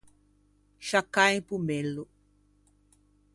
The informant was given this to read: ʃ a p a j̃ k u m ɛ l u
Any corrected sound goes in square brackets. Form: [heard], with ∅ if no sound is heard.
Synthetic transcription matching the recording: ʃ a [k] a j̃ [p] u m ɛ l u